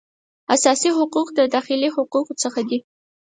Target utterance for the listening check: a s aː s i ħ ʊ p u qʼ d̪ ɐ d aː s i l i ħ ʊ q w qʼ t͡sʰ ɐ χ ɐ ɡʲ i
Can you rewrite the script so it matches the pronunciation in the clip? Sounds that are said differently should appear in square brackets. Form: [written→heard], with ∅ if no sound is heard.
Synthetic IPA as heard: a s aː s i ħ ʊ [p→q] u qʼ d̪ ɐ d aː [s→χ] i l i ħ ʊ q [w→u] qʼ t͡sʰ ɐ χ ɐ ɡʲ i

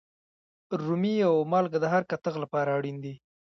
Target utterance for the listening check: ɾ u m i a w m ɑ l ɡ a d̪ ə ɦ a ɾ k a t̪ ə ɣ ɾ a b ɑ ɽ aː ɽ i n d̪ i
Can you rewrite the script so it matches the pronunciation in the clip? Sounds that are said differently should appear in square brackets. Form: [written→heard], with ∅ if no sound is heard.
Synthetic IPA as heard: ɾ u m i a w m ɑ l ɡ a d̪ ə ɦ a ɾ k a t̪ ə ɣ [ɾ→l] a [b→p] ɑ [ɽ→ɾ] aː ɽ i n d̪ i

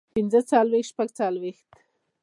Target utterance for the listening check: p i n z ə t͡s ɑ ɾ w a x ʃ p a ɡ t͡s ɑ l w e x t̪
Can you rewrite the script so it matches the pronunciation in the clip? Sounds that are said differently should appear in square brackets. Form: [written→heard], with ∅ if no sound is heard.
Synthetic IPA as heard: p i n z ə t͡s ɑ [ɾ→l] w [a→e] x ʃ p a ɡ t͡s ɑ l w e x t̪

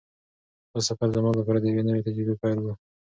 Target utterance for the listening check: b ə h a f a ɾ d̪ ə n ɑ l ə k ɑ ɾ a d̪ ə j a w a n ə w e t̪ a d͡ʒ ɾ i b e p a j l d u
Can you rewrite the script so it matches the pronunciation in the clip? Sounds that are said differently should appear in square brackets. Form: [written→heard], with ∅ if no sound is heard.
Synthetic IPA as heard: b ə [h→s] a f a ɾ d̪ ə [n→m] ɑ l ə [k→p] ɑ ɾ a d̪ ə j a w [a→e] n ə w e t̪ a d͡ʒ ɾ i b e p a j l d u

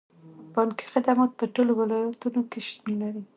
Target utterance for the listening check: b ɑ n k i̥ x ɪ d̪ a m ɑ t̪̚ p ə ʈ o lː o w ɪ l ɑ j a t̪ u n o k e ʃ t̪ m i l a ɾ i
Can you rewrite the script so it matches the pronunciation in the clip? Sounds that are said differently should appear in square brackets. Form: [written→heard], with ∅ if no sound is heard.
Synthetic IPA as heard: b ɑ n k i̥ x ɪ d̪ a m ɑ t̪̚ p ə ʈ o [lː→l] o w ɪ l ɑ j a t̪ u n o k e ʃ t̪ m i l a ɾ i

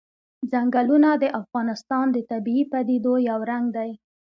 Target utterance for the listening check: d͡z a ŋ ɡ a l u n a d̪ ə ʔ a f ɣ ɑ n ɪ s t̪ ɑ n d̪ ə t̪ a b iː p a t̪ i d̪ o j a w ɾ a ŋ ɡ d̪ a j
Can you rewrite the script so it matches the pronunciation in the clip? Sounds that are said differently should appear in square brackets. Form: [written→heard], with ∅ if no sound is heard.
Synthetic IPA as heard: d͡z a ŋ ɡ a l u n a d̪ ə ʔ a f ɣ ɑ n ɪ s t̪ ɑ n d̪ ə t̪ a b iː p a [t̪→d̪] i d̪ o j a w ɾ a ŋ ɡ d̪ a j

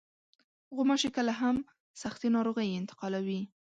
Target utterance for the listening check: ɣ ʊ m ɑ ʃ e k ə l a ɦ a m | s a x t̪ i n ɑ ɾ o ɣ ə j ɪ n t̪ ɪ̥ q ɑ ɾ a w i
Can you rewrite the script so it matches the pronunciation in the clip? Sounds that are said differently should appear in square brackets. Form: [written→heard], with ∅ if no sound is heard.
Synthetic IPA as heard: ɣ ʊ m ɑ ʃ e k ə l a ɦ a m | s a x t̪ i n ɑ ɾ o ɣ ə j ɪ n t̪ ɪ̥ q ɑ [ɾ→l] a w i

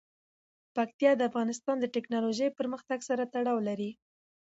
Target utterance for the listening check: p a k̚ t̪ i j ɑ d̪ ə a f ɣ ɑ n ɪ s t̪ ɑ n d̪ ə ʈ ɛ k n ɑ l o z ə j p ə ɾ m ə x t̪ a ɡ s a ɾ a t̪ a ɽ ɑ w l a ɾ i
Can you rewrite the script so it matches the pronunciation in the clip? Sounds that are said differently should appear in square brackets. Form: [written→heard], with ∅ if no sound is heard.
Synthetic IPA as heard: p a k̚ t̪ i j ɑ d̪ ə a f ɣ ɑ n ɪ s t̪ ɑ n d̪ ə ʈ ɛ k n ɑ l o [z→ʒ] ə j p ə ɾ m ə x t̪ a ɡ s a ɾ a t̪ a ɽ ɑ w l a ɾ i

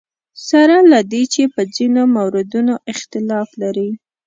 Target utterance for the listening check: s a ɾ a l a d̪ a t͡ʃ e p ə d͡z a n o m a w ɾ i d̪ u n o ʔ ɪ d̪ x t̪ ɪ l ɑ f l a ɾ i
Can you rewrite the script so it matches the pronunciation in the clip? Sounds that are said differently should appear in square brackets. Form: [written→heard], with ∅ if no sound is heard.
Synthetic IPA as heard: s a ɾ a l a d̪ [a→e] t͡ʃ e p ə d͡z [a→i] n o m a w ɾ [i→ɪ] d̪ u n o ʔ ɪ [d̪→∅] x t̪ ɪ l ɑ f l a ɾ i

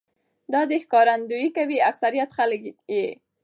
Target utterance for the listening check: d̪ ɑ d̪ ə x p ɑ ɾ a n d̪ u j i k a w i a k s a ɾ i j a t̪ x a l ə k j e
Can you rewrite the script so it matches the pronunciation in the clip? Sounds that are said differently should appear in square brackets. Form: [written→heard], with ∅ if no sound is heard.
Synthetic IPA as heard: d̪ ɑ d̪ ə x [p→k] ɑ ɾ a n d̪ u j i k a w i a k s a ɾ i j a t̪ x a l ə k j e

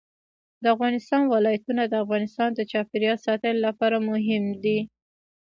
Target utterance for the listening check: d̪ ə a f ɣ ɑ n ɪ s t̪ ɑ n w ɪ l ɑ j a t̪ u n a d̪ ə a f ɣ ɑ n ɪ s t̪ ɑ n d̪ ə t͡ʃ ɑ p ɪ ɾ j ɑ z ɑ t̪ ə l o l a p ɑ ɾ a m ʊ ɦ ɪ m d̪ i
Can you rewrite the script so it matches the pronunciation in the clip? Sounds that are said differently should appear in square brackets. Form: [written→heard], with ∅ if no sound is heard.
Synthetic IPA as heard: d̪ ə a f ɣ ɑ n ɪ s t̪ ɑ n w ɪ l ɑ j a t̪ u n a d̪ ə a f ɣ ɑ n ɪ s t̪ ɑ n d̪ ə t͡ʃ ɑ p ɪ ɾ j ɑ [z→s] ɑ t̪ ə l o l a p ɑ ɾ a m ʊ ɦ ɪ m d̪ i

